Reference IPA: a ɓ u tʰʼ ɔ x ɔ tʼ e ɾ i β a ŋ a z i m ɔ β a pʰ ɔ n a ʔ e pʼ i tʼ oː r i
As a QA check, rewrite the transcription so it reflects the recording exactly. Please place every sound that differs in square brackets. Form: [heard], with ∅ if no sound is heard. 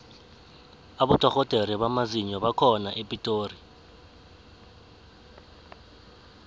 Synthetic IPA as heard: a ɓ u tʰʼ ɔ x ɔ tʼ e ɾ i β a [m] a z i [ɲ] ɔ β a [kʰ] ɔ n a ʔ e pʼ i tʼ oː r i